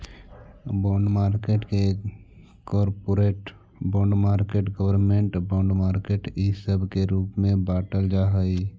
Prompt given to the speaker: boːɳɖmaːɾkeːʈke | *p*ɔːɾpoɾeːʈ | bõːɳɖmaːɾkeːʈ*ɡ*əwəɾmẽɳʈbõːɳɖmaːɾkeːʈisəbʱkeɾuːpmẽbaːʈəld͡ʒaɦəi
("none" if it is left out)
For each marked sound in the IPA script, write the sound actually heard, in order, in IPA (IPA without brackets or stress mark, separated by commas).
k, ɡ